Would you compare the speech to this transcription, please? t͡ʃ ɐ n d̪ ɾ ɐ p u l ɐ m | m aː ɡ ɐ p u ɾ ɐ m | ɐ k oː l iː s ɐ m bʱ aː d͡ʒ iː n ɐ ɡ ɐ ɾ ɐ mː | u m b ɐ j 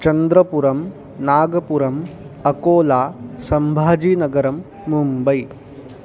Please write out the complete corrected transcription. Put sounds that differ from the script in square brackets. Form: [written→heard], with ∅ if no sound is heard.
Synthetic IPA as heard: t͡ʃ ɐ n d̪ ɾ ɐ p u [l→ɾ] ɐ m | [m→n] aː ɡ ɐ p u ɾ ɐ m | ɐ k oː l [iː→aː] s ɐ m bʱ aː d͡ʒ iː n ɐ ɡ ɐ ɾ ɐ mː | u m b ɐ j